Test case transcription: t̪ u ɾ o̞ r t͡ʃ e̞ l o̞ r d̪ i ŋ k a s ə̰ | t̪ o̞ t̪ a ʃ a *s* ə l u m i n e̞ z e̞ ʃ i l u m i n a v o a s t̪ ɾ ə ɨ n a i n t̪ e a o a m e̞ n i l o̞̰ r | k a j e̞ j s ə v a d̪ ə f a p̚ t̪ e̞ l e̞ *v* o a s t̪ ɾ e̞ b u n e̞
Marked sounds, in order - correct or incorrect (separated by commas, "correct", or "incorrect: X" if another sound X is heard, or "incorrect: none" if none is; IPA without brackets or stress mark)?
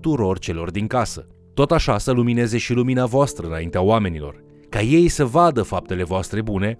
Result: correct, correct